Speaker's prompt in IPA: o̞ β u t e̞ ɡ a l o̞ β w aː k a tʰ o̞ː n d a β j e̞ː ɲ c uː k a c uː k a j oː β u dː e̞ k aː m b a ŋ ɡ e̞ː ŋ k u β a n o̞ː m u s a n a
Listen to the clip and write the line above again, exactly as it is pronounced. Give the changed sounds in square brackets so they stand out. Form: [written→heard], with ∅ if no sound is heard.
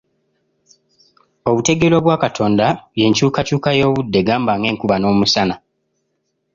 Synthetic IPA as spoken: o̞ β u t e̞ ɡ [a→e] l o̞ β w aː k a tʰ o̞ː n d a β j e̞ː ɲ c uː k a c uː k a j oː β u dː e̞ [k→ɡ] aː m b a ŋ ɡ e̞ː ŋ k u β a n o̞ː m u s a n a